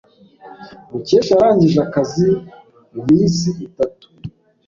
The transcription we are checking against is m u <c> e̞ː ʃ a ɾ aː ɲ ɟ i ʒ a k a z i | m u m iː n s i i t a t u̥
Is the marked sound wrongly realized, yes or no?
no